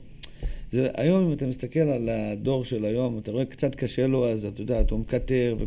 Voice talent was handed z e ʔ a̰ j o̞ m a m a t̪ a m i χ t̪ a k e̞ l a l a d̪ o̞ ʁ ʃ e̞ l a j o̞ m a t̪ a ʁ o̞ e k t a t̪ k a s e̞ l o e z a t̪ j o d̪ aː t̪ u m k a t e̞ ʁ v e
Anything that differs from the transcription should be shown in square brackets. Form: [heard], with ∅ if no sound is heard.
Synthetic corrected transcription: z e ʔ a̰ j o̞ m [i] m a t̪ a m i [s] t̪ a k e̞ l a l a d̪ o̞ ʁ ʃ e̞ l a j o̞ m a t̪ a ʁ o̞ e k [t͡s] a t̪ k a [ʃ] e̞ l o [a] z a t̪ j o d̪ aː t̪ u m k a t e̞ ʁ v e